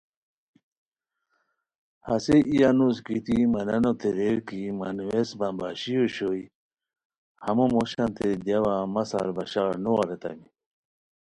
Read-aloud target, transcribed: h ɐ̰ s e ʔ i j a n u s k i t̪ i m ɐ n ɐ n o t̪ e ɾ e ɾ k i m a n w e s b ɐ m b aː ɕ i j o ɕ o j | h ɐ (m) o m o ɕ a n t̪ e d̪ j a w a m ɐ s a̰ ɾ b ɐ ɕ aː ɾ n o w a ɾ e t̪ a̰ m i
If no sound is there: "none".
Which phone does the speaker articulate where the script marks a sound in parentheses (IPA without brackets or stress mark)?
m